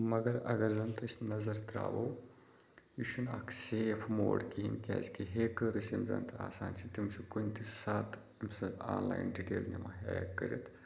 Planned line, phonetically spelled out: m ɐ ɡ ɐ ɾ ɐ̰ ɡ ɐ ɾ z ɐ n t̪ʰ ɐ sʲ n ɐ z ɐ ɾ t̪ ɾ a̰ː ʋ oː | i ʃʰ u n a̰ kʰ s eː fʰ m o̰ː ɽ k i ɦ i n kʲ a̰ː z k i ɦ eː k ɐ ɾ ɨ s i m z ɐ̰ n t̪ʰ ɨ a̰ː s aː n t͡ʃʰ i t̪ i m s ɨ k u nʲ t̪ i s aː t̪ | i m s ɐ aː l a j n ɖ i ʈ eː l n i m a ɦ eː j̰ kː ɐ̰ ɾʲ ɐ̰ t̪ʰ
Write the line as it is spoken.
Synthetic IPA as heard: m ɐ ɡ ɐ ɾ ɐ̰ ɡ ɐ ɾ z ɐ n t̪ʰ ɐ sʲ n ɐ z ɐ ɾ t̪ ɾ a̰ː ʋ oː | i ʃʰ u n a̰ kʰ s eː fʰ m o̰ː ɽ k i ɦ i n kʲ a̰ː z k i ɦ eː k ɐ ɾ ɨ s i m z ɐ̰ n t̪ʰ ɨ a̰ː s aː n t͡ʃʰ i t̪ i m s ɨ k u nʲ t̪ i s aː t̪ | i m s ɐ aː l a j n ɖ i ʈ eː l n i m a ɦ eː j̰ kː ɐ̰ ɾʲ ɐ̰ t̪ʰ

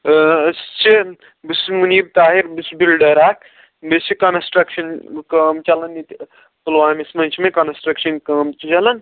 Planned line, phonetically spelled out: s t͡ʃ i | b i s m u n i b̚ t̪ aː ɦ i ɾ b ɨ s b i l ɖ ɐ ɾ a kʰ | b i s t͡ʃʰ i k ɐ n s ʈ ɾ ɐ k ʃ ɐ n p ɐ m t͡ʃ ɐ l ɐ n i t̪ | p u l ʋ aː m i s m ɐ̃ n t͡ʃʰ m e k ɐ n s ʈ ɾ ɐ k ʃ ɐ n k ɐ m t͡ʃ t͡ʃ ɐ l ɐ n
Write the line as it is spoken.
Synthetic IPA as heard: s t͡ʃ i | b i s m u n i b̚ t̪ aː ɦ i ɾ b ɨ s b i l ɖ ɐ ɾ a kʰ | b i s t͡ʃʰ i k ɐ n s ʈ ɾ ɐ k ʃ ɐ n k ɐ m t͡ʃ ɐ l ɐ n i t̪ | p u l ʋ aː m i s m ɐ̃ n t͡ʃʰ m e k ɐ n s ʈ ɾ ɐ k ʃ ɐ n k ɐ m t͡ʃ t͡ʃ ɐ l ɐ n

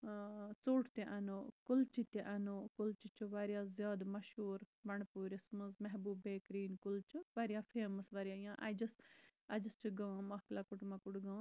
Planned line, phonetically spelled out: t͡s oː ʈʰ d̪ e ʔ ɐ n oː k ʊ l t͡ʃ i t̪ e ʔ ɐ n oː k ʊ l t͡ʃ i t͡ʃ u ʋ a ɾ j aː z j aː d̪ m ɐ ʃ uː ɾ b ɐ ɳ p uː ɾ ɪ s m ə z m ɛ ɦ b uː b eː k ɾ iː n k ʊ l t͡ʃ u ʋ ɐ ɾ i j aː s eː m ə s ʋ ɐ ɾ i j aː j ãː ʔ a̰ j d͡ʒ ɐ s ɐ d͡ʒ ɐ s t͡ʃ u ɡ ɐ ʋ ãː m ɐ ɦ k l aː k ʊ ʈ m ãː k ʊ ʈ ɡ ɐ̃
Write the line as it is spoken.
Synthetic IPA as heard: t͡s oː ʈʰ t̪ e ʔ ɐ n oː k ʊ l t͡ʃ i t̪ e ʔ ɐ n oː k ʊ l t͡ʃ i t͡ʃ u ʋ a ɾ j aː z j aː d̪ m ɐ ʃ uː ɾ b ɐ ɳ p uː ɾ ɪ s m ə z m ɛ ɦ b uː b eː k ɾ iː n k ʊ l t͡ʃ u ʋ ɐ ɾ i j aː f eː m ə s ʋ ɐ ɾ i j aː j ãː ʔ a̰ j d͡ʒ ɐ s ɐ d͡ʒ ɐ s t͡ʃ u ɡ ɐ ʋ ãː m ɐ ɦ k l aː k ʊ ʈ m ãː k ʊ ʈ ɡ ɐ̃

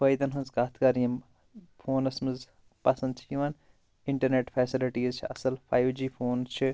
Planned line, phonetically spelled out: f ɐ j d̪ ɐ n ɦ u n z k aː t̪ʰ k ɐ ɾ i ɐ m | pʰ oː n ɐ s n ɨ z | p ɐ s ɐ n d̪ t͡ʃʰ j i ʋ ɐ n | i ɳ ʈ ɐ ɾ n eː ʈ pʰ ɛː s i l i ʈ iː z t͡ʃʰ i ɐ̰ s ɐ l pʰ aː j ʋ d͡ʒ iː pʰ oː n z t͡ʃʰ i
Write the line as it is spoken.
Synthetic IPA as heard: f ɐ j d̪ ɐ n ɦ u n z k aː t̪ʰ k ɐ ɾ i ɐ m | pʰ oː n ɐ s m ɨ z | p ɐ s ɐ n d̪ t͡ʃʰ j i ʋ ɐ n | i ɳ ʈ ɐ ɾ n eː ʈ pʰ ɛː s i l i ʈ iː z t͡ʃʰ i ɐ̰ s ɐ l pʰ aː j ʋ d͡ʒ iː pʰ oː n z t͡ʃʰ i

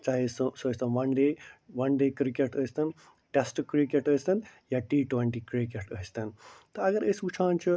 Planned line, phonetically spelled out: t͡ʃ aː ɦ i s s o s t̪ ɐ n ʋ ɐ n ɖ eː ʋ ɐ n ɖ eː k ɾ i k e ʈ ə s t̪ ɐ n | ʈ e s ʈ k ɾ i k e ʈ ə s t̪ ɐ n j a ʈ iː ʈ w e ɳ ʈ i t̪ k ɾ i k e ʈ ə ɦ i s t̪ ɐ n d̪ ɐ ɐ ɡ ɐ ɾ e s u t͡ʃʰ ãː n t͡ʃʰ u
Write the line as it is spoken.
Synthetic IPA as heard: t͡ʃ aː ɦ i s s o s t̪ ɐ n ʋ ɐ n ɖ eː ʋ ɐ n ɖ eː k ɾ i k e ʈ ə s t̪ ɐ n | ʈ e s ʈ k ɾ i k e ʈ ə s t̪ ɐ n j a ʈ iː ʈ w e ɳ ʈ i k ɾ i k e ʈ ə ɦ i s t̪ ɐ n t̪ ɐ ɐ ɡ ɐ ɾ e s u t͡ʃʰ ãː n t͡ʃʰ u

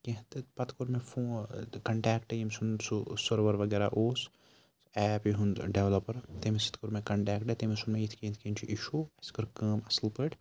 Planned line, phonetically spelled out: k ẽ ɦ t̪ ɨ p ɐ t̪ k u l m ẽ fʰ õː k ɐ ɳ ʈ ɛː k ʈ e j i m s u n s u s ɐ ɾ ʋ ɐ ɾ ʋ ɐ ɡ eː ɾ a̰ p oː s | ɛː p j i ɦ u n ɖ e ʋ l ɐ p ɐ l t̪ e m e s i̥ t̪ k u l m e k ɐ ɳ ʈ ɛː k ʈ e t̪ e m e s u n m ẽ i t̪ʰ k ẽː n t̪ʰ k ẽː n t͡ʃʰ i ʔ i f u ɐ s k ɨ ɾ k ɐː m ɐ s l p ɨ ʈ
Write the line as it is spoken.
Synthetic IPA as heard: k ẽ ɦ t̪ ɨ p ɐ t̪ k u ɾ m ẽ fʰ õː k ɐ ɳ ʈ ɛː k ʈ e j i m s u n s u s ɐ ɾ ʋ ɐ ɾ ʋ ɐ ɡ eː ɾ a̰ ʔ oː s | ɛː p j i ɦ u n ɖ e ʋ l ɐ p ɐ ɾ t̪ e m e s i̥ t̪ k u ɾ m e k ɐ ɳ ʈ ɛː k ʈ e t̪ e m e s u n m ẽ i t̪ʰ k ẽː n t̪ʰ k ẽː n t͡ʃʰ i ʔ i ʃ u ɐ s k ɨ ɾ k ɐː m ɐ s l p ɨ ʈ

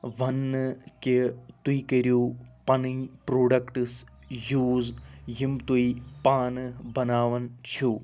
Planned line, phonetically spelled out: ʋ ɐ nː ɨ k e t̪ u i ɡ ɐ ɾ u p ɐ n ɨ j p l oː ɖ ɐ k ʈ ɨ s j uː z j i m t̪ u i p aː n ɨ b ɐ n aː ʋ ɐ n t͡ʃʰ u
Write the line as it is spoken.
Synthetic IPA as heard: ʋ ɐ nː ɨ k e t̪ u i k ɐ ɾ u p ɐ n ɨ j p ɾ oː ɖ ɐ k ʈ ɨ s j uː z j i m t̪ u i p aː n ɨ b ɐ n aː ʋ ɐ n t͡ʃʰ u

